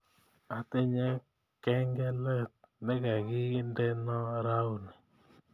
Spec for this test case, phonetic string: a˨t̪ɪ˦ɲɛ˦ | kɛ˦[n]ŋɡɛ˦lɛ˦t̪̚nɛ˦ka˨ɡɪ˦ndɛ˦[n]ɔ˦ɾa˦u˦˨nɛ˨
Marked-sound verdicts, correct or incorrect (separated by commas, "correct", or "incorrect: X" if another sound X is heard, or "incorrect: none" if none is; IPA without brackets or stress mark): incorrect: none, correct